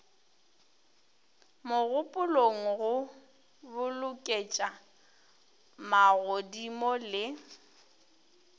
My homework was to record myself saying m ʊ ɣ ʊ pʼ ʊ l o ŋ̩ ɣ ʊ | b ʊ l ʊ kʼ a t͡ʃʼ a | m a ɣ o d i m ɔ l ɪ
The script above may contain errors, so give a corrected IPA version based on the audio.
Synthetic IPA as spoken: m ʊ ɣ ʊ pʼ ʊ l o ŋ̩ ɣ ʊ | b ʊ l ʊ kʼ e t͡ʃʼ a | m a ɣ o d i m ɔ l ɪ